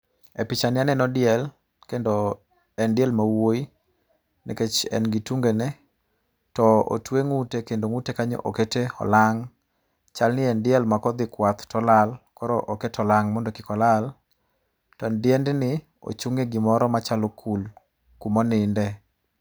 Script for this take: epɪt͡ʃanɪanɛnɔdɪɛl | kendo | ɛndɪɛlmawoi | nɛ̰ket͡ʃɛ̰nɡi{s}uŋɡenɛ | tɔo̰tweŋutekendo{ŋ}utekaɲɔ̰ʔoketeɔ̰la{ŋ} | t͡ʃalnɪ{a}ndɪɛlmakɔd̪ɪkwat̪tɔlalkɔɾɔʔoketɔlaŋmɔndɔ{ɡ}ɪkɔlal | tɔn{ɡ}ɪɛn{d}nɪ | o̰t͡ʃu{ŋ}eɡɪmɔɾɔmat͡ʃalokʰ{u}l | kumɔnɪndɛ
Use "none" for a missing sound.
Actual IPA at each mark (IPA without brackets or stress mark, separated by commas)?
t, ŋ, ŋ, ɛ, k, d, d, ŋ, u